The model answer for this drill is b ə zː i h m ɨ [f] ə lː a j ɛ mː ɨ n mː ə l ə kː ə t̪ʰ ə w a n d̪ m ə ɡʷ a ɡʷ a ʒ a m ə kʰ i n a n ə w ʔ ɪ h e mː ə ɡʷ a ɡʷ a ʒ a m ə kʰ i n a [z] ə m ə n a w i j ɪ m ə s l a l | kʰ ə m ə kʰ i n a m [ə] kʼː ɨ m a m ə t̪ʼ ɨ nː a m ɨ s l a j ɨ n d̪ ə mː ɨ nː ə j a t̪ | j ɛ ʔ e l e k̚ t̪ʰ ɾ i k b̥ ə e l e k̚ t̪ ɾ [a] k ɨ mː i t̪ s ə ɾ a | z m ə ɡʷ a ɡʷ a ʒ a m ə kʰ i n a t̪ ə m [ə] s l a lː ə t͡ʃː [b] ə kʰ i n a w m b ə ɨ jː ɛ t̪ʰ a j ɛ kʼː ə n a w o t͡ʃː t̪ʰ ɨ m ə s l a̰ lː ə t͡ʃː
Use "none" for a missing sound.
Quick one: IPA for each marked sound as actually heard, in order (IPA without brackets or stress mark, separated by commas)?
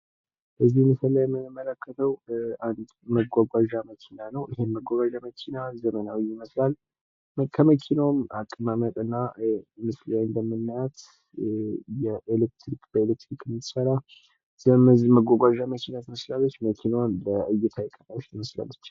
s, z, a, i, ə, m